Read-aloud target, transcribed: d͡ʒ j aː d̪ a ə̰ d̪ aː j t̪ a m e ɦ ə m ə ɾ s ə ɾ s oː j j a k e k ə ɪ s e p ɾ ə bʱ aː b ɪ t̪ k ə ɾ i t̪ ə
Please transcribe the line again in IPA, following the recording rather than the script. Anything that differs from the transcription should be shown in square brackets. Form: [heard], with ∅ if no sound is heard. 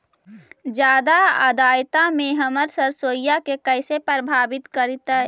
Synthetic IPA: d͡ʒ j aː d̪ a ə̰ d̪ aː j t̪ a m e ɦ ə m ə ɾ s ə ɾ s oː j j a k e k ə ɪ s e p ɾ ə bʱ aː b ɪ t̪ k ə ɾ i t̪ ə